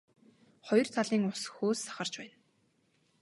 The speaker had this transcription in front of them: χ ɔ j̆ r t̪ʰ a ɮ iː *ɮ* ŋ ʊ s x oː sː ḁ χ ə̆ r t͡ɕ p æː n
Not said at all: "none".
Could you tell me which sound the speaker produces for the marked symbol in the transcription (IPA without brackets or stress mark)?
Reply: none